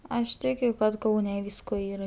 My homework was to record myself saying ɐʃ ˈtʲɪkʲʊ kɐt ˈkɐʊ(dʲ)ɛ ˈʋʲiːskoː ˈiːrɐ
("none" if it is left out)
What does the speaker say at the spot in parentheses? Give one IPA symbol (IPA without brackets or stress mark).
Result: nʲ